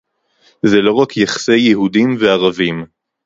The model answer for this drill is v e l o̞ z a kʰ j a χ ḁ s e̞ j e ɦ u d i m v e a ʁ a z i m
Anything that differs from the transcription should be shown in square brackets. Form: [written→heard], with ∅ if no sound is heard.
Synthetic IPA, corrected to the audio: [v→z] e l o̞ [z→ʁ] a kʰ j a χ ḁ s e̞ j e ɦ u d i m v e a ʁ a [z→v] i m